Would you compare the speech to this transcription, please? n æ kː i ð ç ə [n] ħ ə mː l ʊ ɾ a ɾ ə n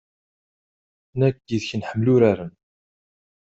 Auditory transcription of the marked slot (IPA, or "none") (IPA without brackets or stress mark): n